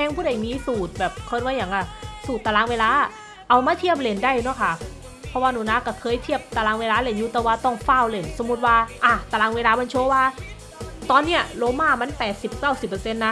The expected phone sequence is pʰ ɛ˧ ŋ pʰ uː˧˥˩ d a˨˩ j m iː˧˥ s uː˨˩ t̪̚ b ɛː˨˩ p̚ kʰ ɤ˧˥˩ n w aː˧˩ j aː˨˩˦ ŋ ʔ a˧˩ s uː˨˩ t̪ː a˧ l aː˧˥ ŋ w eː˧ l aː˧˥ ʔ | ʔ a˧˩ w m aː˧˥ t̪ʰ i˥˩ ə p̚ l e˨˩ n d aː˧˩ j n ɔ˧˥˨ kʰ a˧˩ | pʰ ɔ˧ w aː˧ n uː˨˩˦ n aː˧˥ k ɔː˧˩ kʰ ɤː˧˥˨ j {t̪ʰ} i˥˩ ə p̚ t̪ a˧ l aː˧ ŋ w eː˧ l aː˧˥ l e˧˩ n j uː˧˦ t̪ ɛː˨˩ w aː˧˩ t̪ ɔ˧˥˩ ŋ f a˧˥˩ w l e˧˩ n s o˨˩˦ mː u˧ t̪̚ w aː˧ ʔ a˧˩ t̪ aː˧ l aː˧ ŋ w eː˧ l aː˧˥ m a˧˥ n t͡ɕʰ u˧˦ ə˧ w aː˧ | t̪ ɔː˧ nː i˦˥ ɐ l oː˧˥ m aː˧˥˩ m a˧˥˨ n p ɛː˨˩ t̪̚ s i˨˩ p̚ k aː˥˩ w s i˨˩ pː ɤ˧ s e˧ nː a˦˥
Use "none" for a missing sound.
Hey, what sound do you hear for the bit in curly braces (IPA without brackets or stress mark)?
t̪ʰ